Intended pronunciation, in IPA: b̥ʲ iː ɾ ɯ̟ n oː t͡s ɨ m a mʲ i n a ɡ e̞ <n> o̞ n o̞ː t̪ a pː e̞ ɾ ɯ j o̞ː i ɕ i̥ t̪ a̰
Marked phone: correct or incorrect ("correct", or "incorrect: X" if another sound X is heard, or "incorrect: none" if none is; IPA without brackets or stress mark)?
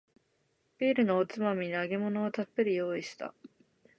incorrect: m